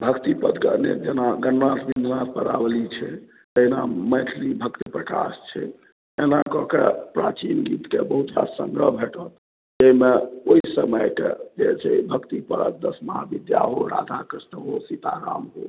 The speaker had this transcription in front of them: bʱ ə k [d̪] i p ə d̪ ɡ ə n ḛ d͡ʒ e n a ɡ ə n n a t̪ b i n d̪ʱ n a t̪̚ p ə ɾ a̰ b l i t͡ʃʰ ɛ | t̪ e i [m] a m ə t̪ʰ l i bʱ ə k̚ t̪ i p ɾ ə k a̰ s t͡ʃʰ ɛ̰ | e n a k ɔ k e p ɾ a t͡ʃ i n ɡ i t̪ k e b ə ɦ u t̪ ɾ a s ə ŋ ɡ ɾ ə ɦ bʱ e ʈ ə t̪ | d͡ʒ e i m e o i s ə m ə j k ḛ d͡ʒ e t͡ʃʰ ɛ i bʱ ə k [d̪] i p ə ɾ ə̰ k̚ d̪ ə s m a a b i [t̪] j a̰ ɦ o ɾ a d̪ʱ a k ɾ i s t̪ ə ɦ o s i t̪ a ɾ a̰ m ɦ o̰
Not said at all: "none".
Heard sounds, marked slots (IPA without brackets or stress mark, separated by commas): t̪, n, t̪, d̪